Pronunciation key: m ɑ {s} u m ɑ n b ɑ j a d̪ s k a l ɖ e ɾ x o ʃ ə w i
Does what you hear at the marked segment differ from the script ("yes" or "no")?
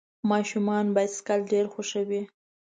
yes